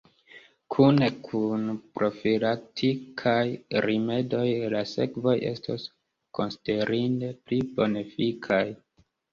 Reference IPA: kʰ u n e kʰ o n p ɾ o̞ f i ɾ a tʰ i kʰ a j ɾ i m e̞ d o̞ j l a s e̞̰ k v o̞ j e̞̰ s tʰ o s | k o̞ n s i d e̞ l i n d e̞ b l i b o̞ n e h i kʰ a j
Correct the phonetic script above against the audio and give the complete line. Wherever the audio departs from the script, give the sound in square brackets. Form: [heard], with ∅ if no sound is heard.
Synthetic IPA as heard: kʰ u n e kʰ [u] n p ɾ o̞ f i [l] a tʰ i kʰ a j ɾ i m e̞ d o̞ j l a s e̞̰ k v o̞ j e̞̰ s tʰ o s | k o̞ n s i d e̞ [ɾ] i n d e̞ [p] l i b o̞ n e [f] i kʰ a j